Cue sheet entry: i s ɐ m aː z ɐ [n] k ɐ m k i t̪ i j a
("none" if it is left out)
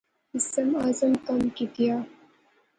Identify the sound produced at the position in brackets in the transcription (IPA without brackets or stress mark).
m